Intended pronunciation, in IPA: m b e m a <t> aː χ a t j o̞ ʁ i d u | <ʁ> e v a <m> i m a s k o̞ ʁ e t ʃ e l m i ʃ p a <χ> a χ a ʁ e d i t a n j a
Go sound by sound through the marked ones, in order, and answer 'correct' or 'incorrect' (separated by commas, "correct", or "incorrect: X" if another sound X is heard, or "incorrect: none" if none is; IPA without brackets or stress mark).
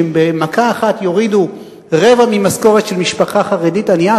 incorrect: k, correct, correct, correct